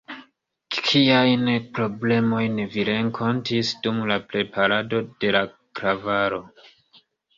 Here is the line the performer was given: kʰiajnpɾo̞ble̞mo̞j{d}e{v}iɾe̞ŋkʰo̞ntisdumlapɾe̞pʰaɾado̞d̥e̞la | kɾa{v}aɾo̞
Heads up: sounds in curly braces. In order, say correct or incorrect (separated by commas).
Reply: incorrect, correct, correct